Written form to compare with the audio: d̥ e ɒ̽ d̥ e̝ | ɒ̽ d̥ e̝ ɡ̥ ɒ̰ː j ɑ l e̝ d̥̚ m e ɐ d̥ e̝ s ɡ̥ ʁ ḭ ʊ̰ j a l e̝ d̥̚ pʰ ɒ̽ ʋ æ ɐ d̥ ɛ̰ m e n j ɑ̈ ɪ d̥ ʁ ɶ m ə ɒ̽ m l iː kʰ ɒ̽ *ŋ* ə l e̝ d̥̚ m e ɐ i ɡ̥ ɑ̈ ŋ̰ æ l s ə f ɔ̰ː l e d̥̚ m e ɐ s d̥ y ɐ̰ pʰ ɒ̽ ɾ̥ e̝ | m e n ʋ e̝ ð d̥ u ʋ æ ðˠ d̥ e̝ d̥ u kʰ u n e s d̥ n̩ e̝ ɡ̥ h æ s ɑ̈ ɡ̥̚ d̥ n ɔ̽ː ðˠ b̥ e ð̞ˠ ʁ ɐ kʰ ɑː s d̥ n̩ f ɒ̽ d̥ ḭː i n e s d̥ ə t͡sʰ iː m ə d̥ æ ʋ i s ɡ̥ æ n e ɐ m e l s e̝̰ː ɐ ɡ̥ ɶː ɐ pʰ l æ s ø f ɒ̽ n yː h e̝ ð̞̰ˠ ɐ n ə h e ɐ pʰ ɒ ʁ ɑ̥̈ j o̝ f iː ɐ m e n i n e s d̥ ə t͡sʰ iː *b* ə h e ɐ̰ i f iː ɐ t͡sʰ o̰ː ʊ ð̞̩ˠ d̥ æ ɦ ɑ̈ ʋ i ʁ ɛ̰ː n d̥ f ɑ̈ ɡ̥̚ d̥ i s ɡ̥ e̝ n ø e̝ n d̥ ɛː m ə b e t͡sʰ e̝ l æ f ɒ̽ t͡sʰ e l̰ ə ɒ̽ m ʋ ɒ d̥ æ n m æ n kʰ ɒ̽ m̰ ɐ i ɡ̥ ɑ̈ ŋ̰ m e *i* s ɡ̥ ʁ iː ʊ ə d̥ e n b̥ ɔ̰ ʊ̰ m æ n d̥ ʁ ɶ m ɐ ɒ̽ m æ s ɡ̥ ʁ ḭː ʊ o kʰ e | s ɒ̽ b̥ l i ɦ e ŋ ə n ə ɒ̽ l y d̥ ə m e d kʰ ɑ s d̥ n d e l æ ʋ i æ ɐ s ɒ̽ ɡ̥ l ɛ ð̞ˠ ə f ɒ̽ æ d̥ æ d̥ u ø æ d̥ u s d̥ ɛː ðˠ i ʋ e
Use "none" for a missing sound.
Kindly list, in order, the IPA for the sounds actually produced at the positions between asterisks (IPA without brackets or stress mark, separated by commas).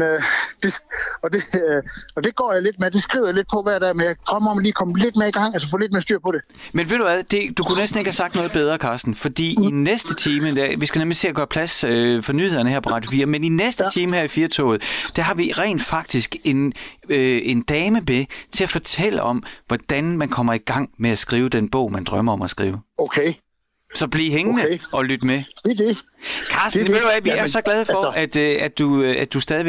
m, m, æ